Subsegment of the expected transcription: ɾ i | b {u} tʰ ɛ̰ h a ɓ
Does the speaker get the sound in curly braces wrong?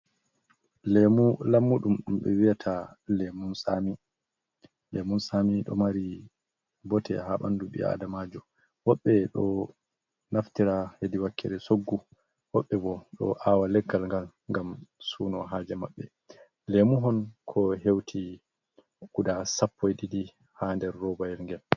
yes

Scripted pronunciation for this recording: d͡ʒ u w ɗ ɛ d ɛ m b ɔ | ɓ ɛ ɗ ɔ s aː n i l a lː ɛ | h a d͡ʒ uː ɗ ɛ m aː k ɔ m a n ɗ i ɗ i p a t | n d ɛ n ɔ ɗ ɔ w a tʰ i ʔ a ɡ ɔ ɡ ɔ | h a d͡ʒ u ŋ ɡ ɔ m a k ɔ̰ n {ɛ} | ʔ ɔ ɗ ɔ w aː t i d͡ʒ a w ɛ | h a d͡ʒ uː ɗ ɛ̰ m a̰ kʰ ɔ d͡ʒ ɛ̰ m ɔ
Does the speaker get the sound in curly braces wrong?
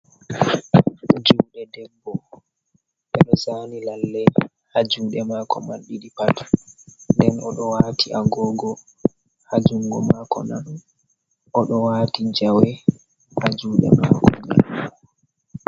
yes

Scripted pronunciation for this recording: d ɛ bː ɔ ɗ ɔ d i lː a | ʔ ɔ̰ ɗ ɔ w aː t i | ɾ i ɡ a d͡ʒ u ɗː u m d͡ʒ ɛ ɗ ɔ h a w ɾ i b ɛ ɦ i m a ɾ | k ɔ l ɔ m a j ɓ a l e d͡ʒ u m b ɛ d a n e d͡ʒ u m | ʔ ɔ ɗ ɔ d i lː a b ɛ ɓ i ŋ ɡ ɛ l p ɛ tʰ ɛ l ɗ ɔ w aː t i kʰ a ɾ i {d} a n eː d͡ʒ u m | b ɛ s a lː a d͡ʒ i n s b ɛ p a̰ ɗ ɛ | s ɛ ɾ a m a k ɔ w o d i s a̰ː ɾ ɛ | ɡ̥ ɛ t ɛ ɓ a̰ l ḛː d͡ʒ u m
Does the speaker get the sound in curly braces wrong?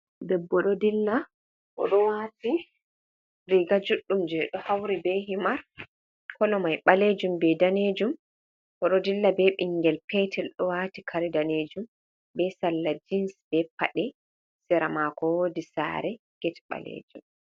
no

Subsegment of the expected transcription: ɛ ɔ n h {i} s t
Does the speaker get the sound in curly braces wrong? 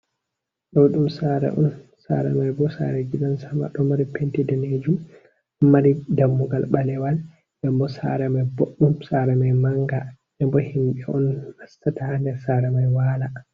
yes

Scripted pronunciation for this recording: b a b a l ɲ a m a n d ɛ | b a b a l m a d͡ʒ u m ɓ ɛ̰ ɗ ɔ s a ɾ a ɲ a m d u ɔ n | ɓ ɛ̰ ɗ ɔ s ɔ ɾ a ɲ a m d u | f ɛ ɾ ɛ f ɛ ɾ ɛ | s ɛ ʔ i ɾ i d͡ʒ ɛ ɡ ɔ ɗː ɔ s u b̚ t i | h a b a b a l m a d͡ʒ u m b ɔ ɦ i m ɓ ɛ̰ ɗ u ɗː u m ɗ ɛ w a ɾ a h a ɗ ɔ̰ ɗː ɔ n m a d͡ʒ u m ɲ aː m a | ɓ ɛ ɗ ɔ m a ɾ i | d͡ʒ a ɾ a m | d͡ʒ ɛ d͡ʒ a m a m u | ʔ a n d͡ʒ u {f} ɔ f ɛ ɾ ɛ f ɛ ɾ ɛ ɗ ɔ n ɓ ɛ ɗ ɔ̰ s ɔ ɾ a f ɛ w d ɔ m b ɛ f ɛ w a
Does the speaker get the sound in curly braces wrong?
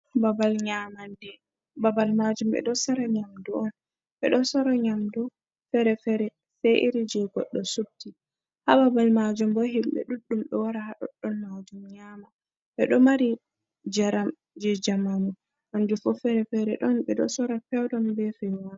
no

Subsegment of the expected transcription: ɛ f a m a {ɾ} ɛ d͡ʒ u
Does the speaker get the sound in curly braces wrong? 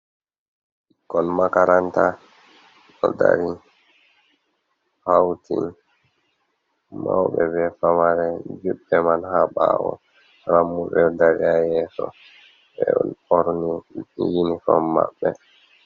no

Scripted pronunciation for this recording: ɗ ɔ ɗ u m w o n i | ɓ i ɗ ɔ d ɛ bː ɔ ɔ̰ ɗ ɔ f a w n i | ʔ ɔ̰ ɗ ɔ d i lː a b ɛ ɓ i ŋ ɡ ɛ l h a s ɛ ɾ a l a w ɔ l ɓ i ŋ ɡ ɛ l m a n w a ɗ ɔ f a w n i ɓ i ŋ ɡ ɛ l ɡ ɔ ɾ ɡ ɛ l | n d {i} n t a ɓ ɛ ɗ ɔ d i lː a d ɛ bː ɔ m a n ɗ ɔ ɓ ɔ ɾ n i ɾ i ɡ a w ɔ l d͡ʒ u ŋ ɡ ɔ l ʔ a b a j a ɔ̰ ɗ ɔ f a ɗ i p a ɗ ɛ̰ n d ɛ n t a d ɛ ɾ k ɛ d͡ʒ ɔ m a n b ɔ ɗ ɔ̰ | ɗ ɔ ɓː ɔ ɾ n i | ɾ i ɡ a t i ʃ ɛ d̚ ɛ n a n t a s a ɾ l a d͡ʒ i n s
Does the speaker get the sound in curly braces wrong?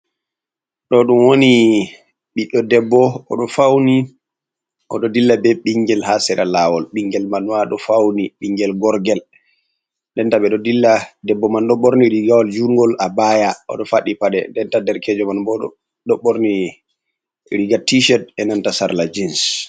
yes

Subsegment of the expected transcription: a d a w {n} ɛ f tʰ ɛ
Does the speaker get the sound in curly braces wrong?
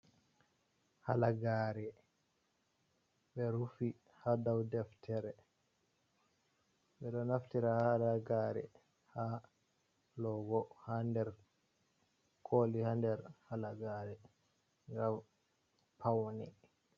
yes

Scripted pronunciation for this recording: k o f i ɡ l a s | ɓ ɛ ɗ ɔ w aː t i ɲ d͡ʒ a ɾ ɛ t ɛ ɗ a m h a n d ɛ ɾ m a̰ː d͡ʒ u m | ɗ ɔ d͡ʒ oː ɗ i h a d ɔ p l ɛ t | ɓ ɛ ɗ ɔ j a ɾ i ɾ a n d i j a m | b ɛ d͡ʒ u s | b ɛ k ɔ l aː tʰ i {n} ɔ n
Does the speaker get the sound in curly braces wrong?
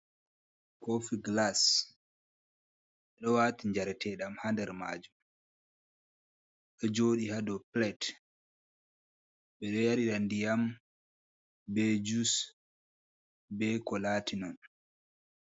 no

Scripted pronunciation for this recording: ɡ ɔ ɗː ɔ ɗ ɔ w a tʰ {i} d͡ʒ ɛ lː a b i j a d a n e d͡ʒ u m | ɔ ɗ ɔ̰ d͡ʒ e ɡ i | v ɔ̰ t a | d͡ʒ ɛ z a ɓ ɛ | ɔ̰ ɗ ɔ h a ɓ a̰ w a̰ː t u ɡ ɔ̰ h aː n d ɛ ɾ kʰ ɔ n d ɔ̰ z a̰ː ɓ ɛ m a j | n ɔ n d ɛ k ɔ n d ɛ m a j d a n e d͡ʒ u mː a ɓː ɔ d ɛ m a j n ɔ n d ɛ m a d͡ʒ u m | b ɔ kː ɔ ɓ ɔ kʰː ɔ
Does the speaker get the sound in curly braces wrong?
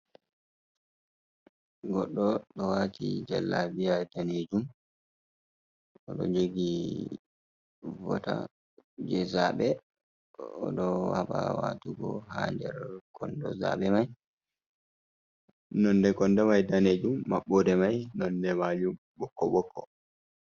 no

